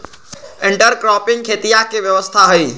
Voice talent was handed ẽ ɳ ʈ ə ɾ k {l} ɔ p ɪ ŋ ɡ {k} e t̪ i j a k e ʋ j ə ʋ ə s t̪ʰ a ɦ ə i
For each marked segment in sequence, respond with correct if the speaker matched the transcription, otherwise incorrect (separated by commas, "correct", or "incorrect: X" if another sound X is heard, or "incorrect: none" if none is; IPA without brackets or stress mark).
incorrect: ɾ, incorrect: kʰ